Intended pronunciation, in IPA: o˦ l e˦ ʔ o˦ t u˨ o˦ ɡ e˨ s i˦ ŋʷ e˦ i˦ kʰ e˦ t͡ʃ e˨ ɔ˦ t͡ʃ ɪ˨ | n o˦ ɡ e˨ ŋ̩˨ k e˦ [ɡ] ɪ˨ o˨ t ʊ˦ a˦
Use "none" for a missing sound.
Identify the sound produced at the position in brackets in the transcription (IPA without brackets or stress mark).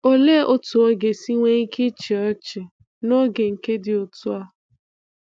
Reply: d